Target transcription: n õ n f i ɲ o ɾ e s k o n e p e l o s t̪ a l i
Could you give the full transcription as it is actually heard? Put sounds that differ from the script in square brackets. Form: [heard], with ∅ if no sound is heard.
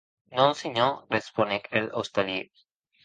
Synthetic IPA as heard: n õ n [s] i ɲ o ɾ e s [p] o n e [k] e l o s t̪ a l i

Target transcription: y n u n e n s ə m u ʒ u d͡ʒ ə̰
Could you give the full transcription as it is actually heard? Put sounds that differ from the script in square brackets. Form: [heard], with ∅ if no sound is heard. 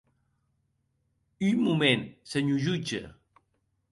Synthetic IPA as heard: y [m] u [m] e n s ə [ɲ] u ʒ u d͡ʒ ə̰

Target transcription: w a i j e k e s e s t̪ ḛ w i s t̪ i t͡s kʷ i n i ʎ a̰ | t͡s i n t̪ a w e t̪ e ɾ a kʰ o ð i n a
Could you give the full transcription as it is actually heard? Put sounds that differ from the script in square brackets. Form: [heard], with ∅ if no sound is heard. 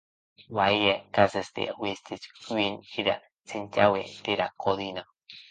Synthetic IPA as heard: w a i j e k [a] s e s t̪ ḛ w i s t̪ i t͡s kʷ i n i [ɾ] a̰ | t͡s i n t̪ a w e t̪ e ɾ a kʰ o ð i n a

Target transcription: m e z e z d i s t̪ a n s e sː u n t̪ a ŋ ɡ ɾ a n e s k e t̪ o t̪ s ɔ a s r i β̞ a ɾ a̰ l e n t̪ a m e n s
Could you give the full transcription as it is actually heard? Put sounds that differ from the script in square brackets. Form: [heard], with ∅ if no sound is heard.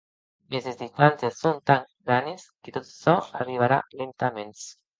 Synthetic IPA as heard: m e z e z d i s t̪ a n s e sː [o] n t̪ a ŋ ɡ ɾ a n e s k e t̪ o t̪ s ɔ a [∅] r i β̞ a ɾ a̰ l e n t̪ a m e n s

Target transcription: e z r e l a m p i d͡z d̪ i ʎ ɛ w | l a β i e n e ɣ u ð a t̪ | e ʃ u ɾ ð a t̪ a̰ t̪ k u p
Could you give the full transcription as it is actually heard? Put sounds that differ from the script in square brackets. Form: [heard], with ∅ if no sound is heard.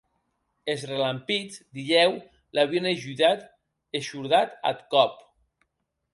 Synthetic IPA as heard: e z r e l a m p i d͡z d̪ i ʎ ɛ w | l a β i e n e [ʒ] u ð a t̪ | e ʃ u ɾ ð a t̪ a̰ t̪ k [ɔ] p

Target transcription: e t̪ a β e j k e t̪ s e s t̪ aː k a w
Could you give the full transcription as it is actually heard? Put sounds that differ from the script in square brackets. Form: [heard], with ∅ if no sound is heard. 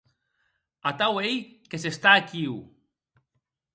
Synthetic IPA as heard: [a] t̪ a [w] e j k e [∅] s e s t̪ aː k [i] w

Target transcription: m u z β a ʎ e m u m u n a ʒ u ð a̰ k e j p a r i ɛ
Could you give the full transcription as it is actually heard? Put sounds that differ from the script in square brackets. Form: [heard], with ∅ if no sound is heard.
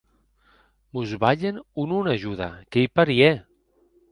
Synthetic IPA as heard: m u z β a ʎ e [n] u [n] u n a ʒ u ð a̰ k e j p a [ɾ] i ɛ

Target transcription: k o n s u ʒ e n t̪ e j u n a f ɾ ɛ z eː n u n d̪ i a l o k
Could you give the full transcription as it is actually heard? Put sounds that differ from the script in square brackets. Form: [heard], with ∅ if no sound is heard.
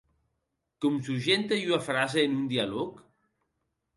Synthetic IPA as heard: k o [m] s u ʒ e n t̪ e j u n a f ɾ [a] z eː n u n d̪ i a l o k

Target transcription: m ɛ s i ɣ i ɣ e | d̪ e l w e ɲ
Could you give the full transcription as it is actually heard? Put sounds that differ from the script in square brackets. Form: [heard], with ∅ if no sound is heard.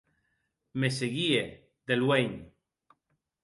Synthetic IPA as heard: m [e] s [e] ɣ i [∅] e | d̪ e l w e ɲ

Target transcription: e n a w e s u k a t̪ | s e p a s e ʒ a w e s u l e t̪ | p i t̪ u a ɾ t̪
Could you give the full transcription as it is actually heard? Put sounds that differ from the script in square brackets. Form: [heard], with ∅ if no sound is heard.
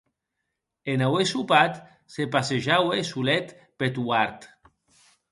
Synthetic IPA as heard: e n a w e s u [p] a t̪ | s e p a s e ʒ a w e s u l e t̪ | p [e] t̪ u a ɾ t̪

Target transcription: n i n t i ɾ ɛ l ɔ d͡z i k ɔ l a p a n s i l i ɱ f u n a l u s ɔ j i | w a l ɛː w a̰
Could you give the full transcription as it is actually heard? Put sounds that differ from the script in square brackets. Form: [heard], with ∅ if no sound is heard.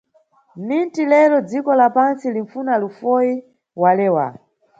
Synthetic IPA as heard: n i n t i [l] ɛ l ɔ d͡z i k ɔ l a p a n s i l i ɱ f u n a l u [f] ɔ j i | w a l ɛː w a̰

